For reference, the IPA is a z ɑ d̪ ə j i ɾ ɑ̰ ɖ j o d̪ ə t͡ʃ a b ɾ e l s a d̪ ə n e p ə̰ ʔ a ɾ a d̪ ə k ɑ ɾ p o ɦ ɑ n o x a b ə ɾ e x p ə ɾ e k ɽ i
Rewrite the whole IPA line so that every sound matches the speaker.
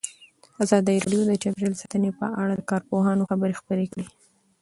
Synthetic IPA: a z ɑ d̪ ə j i ɾ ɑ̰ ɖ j o d̪ ə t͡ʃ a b ɾ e l s a t̪ ə n e p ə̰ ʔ a ɽ a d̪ ə k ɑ ɾ p o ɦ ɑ n o x a b ə ɾ e x p ə ɾ e k ɽ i